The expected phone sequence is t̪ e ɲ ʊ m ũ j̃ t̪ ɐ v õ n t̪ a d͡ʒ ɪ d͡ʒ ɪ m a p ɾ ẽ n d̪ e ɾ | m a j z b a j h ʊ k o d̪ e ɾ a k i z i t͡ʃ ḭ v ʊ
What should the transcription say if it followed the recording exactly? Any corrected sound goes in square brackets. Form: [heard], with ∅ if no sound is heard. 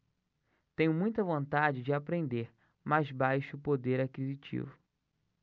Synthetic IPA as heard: t̪ [ẽ] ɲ ʊ m ũ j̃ t̪ ɐ v õ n t̪ a d͡ʒ ɪ d͡ʒ ɪ [∅] a p ɾ ẽ n d̪ e ɾ | m a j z b a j [ʃ] ʊ [p] o d̪ e ɾ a k i z i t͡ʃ ḭ v ʊ